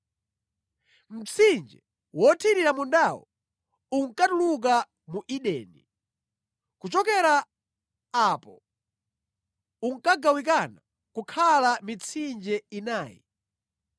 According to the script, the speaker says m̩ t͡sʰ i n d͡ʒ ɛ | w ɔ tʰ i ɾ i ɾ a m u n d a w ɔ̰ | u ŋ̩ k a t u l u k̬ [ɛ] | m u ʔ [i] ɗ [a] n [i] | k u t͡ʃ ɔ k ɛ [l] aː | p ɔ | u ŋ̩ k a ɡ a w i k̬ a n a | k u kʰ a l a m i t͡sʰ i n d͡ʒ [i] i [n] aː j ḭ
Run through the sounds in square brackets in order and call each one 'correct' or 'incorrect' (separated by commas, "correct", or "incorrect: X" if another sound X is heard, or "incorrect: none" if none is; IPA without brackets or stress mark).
incorrect: a, correct, incorrect: ɛ, correct, incorrect: ɾ, incorrect: ɛ, correct